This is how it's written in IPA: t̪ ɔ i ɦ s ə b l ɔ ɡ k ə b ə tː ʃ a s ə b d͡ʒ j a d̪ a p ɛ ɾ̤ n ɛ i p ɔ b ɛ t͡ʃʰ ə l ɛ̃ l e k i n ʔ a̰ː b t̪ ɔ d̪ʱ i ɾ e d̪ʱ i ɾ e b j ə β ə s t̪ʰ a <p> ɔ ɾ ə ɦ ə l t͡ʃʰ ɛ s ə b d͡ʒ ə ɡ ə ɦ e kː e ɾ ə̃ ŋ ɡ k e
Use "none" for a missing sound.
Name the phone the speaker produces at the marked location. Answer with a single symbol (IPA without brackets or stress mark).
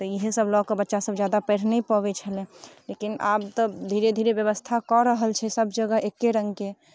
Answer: k